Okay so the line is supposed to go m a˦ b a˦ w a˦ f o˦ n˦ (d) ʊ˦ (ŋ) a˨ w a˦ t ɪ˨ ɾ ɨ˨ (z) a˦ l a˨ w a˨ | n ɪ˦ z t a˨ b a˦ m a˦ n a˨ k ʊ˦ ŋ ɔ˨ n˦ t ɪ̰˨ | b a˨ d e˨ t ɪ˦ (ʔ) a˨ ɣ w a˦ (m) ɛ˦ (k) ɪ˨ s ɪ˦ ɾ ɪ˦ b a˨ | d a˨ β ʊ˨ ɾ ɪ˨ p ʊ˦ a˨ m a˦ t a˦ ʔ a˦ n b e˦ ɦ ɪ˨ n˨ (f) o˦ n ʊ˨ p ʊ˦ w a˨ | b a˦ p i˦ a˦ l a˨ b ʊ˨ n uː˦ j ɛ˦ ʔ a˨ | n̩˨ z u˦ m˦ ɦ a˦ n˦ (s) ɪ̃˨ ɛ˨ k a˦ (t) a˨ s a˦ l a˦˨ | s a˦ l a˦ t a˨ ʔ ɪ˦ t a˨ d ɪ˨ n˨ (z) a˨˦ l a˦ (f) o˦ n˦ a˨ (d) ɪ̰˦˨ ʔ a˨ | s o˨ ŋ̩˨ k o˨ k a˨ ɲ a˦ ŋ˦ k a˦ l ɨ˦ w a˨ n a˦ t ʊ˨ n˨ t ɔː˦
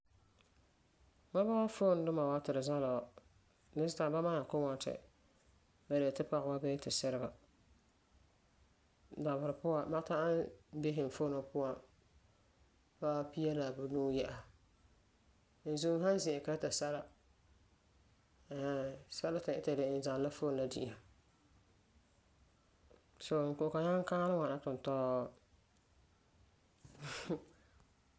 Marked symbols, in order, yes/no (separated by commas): yes, no, yes, no, no, no, yes, no, yes, yes, yes, yes